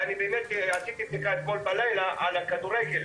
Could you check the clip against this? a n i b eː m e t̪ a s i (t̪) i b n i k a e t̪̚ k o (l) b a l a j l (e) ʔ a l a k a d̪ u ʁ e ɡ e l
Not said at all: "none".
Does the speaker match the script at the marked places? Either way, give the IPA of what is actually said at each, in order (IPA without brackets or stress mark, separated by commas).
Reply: t̪, l, a